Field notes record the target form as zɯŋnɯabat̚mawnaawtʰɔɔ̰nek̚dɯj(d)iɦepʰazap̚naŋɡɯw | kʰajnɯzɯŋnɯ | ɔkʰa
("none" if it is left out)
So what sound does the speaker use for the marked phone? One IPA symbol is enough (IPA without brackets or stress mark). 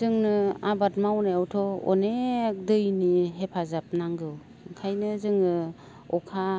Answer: n